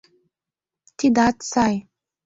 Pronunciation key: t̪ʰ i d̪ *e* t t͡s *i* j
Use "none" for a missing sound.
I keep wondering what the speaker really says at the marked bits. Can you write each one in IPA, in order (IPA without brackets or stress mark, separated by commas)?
a, a